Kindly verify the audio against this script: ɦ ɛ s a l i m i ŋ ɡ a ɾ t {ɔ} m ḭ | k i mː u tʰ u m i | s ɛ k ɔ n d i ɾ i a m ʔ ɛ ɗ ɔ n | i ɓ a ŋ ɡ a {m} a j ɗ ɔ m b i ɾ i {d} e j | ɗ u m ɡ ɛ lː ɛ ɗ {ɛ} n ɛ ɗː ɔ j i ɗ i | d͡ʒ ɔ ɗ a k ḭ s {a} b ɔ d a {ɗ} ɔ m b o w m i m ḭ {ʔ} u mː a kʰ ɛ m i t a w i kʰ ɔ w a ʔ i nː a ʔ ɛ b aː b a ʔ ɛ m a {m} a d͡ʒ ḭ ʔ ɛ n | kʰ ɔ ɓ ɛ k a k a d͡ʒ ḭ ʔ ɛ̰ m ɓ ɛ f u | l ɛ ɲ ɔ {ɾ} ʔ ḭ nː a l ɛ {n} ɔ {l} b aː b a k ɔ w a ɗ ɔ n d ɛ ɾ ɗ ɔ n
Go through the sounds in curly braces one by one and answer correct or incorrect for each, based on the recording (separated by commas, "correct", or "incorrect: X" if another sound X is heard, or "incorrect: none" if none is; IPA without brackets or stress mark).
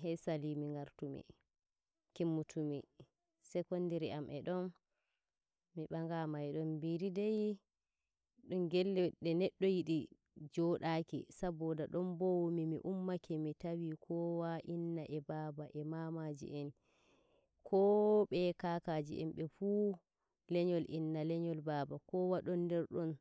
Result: incorrect: u, correct, correct, correct, correct, correct, correct, correct, incorrect: l, incorrect: ɲ, correct